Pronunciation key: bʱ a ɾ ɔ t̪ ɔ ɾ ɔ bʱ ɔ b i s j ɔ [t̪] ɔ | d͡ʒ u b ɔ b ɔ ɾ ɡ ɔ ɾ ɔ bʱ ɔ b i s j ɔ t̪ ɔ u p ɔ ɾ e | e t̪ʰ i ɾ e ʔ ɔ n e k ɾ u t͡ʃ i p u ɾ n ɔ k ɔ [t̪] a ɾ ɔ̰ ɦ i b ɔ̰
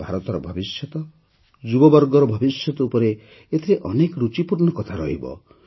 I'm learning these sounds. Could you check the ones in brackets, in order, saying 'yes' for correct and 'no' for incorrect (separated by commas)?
yes, no